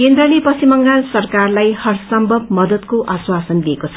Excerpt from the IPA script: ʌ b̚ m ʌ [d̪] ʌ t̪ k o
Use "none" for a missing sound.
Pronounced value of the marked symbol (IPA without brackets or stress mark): d̪